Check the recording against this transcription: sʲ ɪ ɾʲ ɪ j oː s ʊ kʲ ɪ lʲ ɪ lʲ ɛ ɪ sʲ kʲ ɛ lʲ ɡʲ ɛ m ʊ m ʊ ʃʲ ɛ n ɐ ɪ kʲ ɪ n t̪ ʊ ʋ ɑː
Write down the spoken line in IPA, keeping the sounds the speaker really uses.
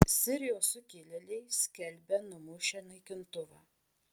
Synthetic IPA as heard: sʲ ɪ ɾʲ ɪ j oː s ʊ kʲ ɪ lʲ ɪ lʲ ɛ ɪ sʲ kʲ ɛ lʲ bʲ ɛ n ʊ m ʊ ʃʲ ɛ n ɐ ɪ kʲ ɪ n t̪ ʊ ʋ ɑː